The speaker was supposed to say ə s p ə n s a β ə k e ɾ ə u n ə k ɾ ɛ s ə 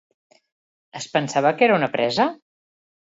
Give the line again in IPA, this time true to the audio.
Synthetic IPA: ə s p ə n s a β ə k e ɾ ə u n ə p ɾ ɛ z ə